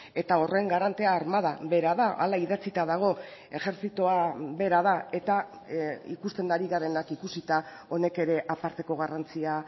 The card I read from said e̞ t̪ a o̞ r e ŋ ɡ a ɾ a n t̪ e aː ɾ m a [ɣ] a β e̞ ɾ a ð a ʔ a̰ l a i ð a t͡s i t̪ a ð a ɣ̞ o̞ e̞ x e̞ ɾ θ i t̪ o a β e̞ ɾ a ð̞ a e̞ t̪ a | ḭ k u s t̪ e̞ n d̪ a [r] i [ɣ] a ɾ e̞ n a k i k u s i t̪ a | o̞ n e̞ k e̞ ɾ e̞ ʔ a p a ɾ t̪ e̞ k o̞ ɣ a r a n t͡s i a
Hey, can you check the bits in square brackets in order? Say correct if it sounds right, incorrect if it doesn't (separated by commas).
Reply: incorrect, incorrect, correct